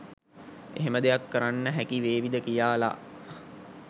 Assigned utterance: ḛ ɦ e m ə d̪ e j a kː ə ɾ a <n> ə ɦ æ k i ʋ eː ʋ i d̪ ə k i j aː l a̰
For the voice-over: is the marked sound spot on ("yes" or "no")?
no